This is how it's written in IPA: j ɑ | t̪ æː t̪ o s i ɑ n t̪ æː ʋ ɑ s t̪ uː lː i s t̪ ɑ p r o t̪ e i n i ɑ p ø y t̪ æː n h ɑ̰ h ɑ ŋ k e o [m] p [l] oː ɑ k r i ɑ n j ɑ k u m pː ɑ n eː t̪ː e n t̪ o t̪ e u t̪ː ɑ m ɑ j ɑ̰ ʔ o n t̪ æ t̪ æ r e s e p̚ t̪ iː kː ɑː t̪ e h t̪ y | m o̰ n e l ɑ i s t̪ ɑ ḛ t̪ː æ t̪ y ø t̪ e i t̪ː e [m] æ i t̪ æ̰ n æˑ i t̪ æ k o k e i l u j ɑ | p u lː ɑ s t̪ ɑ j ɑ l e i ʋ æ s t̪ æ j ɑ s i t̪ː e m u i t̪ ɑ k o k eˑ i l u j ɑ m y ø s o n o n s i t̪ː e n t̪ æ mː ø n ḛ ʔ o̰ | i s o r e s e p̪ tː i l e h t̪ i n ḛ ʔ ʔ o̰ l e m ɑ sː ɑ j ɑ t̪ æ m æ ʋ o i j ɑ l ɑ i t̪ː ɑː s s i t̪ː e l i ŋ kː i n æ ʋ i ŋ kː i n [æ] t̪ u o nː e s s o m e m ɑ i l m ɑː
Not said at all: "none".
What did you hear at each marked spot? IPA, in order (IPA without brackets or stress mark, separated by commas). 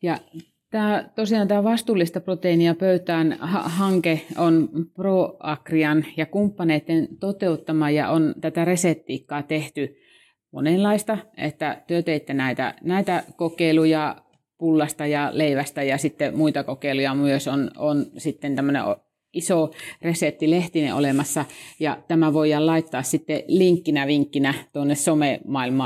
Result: n, r, n, æ